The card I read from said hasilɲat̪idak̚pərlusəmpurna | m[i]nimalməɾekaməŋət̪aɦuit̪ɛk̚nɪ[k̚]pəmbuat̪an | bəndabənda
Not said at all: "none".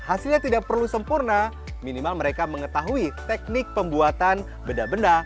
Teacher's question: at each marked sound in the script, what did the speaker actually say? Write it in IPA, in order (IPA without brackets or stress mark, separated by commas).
i, k̚